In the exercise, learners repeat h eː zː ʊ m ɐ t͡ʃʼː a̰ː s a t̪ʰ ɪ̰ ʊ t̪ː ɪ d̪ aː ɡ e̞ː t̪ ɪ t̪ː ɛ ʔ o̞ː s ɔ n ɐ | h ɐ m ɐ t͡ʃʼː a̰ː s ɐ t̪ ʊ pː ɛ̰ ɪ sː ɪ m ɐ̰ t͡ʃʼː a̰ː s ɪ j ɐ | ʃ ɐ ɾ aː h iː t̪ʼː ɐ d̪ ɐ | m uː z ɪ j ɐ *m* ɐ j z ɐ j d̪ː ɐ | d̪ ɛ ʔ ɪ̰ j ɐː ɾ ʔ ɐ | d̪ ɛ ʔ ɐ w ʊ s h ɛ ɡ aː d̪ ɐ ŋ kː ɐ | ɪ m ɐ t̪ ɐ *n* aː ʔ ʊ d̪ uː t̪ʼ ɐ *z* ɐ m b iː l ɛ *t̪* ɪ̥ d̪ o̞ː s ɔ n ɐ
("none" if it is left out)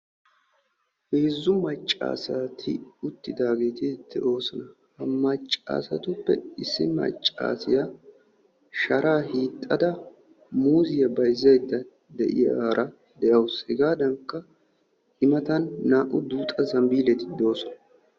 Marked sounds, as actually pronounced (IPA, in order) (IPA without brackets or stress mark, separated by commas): b, nː, z, t̪